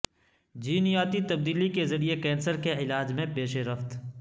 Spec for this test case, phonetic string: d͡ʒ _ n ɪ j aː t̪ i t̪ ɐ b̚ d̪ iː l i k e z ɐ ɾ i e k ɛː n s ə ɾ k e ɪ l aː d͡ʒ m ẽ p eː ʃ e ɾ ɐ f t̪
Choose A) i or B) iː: B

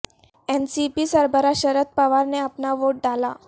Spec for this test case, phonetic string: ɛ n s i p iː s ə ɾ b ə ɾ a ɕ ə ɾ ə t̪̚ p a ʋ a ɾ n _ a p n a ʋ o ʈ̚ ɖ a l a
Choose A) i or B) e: B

